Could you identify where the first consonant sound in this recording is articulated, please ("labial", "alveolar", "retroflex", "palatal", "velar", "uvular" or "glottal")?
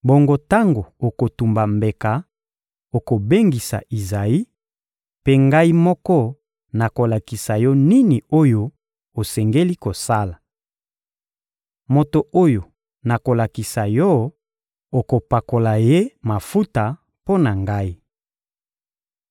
labial